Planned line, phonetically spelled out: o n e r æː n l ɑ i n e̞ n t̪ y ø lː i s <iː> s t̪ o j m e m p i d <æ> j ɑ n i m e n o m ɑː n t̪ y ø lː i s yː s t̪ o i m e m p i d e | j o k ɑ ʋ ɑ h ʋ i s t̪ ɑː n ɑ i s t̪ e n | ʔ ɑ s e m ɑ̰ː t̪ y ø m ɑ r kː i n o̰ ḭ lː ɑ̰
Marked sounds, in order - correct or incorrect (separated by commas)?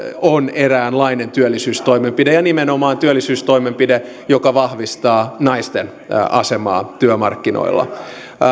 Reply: incorrect, incorrect